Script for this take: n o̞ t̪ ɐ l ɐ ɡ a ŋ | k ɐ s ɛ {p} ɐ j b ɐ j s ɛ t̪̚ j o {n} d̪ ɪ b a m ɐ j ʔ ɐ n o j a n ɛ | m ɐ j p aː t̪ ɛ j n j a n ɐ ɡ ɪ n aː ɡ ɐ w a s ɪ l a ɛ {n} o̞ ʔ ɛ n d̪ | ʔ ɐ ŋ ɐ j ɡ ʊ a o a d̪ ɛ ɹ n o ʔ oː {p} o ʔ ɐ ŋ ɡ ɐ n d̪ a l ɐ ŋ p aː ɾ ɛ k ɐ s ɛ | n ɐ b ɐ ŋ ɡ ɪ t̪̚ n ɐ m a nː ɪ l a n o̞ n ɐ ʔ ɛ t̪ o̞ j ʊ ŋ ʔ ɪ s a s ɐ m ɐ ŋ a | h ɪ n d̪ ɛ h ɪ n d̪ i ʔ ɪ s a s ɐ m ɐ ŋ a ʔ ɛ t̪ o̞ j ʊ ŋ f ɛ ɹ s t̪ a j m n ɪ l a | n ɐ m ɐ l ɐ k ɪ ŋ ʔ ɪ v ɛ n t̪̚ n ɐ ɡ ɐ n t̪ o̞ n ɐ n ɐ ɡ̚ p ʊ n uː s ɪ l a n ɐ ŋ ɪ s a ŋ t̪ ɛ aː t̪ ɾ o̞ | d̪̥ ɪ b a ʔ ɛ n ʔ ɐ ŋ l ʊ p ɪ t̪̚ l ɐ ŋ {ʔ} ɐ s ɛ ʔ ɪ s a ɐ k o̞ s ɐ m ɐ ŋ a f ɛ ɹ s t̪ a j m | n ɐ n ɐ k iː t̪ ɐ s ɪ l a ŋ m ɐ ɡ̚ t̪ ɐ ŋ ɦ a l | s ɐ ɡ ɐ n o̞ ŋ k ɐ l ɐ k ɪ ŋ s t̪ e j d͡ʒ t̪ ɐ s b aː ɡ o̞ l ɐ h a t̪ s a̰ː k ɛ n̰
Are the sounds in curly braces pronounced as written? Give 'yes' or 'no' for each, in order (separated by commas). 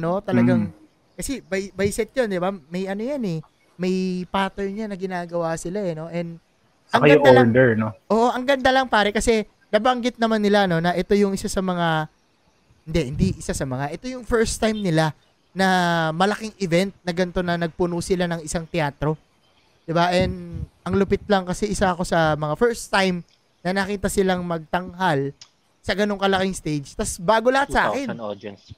no, yes, yes, no, no